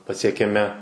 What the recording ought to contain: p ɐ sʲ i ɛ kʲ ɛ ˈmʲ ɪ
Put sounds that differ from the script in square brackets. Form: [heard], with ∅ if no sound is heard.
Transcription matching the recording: p ɐ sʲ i ɛ kʲ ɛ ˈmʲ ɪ